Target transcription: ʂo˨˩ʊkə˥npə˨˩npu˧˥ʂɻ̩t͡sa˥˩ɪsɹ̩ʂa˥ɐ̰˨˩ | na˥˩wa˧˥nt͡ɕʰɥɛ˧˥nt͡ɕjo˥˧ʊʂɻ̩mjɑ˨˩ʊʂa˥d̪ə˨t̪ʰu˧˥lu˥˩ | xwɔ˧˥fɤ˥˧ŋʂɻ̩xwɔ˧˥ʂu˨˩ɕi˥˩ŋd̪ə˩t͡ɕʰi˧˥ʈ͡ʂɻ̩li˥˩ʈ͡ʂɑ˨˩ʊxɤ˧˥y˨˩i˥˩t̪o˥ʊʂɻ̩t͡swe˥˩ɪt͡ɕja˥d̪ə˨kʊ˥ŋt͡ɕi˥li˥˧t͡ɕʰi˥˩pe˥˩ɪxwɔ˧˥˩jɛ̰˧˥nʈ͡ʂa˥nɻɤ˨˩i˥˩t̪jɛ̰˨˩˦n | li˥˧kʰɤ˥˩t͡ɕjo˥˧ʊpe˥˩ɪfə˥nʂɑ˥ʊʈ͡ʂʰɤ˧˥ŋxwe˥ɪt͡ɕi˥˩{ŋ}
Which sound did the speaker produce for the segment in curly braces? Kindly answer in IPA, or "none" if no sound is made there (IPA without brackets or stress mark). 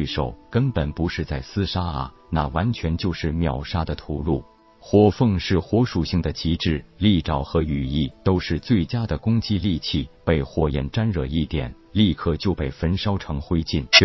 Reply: n